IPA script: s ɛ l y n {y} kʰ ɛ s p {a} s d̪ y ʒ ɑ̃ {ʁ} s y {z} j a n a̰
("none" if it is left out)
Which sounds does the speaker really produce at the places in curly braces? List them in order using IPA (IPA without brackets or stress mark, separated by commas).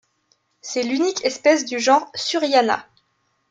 i, ɛ, ʁ, ʁ